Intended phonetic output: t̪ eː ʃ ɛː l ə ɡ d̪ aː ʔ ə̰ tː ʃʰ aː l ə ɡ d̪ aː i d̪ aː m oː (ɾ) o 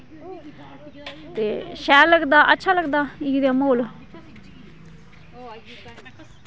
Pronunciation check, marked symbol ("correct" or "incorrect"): incorrect